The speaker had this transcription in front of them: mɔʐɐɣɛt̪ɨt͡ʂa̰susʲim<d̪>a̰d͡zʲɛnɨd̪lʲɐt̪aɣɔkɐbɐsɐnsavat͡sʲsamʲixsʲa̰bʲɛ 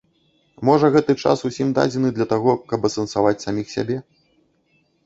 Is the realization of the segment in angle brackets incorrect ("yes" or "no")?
no